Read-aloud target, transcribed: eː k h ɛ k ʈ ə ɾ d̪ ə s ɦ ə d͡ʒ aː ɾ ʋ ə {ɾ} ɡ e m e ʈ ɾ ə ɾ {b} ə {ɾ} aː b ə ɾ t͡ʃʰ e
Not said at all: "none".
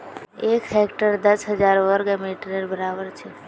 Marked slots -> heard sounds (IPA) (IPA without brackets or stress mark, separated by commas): ɾ, b, ɾ